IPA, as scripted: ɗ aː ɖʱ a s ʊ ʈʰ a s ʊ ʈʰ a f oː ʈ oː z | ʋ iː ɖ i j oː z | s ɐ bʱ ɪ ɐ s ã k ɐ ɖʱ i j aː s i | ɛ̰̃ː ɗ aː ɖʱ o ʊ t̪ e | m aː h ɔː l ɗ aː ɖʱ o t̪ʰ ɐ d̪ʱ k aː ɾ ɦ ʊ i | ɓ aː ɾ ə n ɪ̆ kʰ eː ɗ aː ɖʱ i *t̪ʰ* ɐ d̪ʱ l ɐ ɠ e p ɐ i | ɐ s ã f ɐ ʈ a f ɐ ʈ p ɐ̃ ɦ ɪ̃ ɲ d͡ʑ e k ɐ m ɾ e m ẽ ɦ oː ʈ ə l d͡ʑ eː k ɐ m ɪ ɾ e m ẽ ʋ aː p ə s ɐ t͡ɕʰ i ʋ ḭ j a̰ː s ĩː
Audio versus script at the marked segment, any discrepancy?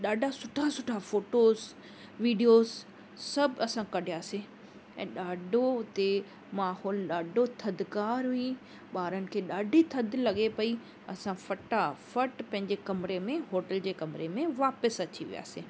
no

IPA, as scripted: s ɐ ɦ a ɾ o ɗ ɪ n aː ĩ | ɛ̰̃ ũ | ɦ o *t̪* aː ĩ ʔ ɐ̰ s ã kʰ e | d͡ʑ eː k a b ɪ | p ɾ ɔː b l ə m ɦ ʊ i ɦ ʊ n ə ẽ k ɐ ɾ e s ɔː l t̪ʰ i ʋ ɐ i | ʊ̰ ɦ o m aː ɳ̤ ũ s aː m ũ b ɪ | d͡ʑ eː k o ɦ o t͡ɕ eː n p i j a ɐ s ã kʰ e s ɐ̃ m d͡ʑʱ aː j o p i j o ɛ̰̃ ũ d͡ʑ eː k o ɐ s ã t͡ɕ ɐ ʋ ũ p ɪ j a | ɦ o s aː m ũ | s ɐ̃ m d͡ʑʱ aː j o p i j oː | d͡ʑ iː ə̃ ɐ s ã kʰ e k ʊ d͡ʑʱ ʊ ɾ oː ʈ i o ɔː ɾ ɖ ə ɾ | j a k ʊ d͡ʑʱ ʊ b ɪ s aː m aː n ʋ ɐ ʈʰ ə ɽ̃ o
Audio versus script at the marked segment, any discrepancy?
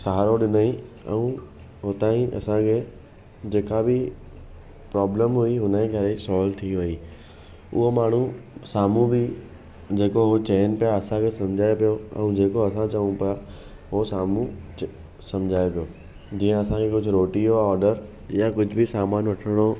no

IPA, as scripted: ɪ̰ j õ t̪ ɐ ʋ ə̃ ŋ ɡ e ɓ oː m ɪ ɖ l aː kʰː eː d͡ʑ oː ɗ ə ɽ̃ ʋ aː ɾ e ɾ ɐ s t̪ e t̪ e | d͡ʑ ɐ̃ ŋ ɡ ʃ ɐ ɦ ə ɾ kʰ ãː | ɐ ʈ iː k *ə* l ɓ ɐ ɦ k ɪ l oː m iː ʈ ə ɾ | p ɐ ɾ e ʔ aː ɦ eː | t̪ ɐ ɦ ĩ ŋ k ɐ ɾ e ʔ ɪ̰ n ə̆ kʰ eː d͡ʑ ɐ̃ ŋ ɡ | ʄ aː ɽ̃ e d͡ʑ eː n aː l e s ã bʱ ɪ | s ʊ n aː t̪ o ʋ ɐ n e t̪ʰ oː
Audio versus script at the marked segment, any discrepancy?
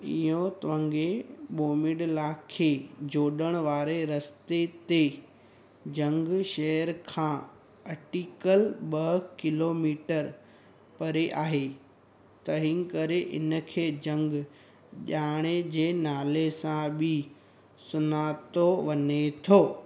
no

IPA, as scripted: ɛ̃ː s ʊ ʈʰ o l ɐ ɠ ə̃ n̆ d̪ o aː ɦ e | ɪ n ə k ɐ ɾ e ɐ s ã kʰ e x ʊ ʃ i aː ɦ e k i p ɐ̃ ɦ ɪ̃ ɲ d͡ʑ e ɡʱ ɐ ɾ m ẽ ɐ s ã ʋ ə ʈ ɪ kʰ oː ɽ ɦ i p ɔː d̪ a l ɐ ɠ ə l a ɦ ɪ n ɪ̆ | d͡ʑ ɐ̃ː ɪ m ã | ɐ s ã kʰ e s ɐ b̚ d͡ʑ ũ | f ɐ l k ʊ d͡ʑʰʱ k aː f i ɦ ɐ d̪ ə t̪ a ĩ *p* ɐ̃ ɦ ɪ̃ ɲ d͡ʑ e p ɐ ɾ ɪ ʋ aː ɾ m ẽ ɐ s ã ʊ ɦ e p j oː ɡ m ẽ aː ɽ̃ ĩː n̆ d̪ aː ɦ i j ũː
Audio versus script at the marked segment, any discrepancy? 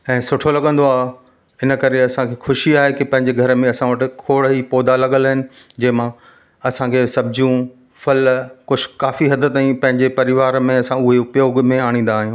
no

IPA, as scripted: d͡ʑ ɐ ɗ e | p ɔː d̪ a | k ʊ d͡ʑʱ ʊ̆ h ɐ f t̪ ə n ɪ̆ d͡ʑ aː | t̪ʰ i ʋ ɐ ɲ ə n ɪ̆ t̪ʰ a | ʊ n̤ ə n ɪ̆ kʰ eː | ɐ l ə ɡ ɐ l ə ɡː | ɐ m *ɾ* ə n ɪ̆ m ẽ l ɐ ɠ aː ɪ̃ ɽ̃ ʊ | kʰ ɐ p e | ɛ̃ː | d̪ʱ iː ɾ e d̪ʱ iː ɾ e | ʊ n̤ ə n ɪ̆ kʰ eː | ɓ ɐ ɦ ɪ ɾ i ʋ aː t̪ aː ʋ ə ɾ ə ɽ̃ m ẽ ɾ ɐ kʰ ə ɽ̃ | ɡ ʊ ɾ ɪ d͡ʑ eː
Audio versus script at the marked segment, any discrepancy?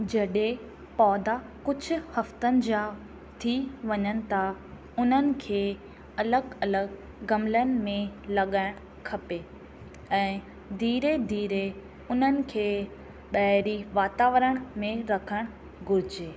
yes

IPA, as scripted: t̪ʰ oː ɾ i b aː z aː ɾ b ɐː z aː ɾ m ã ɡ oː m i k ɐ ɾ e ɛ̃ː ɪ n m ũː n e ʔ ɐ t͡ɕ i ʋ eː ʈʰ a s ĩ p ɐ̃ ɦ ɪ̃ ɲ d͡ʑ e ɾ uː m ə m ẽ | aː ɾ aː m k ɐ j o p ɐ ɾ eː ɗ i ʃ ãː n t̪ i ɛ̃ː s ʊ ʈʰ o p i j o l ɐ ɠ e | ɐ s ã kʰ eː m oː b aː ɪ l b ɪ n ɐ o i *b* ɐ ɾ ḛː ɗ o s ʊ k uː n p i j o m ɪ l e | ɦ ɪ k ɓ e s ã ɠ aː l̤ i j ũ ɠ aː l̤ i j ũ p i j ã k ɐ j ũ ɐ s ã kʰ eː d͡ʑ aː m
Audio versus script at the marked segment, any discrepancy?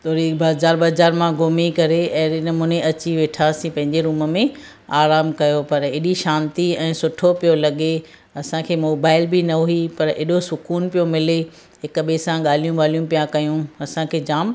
yes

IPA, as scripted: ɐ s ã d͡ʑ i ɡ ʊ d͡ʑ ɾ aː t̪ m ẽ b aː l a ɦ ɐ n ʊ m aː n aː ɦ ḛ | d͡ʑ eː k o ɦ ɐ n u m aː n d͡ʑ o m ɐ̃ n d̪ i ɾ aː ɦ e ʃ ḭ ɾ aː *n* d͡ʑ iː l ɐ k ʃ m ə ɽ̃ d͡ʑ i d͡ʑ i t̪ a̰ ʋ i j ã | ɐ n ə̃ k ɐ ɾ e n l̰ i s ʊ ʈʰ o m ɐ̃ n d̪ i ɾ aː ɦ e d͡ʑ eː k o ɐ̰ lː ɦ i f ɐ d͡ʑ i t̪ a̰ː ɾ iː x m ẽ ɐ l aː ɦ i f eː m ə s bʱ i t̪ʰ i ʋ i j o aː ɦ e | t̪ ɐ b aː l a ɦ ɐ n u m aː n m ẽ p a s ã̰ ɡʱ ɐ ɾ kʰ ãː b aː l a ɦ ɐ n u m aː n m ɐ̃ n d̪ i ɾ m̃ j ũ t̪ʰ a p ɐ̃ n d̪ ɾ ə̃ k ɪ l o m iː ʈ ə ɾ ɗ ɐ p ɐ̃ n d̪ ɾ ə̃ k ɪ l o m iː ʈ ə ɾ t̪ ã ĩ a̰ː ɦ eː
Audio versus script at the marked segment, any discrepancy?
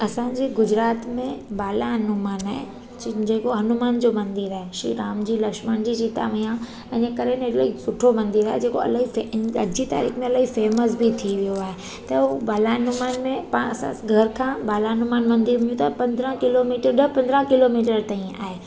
yes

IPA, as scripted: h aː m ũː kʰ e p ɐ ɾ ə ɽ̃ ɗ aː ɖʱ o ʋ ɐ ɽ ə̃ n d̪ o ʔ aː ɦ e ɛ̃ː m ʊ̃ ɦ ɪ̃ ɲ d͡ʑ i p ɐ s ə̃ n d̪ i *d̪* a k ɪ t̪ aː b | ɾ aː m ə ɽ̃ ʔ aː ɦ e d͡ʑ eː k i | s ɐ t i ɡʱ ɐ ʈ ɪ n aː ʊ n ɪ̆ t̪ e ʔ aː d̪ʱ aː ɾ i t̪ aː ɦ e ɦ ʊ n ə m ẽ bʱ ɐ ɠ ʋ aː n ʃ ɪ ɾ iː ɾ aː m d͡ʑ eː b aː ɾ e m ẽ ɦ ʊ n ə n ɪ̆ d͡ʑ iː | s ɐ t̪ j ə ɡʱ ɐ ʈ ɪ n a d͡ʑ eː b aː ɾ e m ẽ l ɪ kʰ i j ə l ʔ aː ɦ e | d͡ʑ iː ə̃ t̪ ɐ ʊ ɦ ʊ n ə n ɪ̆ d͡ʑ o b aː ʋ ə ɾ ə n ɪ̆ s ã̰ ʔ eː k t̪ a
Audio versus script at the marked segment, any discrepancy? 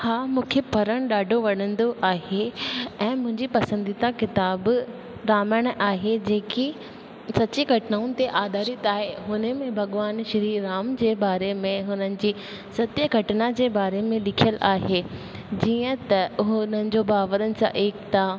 yes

